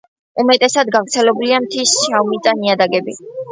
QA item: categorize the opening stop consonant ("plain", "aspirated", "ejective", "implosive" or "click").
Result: ejective